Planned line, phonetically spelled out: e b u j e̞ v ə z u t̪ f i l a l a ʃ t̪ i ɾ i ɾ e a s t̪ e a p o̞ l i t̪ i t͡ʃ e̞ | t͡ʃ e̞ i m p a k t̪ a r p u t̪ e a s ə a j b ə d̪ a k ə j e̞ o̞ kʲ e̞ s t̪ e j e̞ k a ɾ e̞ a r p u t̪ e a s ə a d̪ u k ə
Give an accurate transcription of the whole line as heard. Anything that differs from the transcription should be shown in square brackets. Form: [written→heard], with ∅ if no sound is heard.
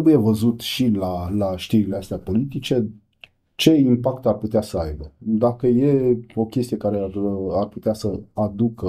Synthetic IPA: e b u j e̞ v ə z u t̪ [f→ʃ] i l a l a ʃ t̪ i ɾ i [ɾ→l] e a s t̪ e a p o̞ l i t̪ i t͡ʃ e̞ | t͡ʃ e̞ i m p a k t̪ a r p u t̪ e a s ə a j b ə d̪ a k ə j e̞ o̞ kʲ e̞ s t̪ [e→i] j e̞ k a ɾ e̞ a r p u t̪ e a s ə a d̪ u k ə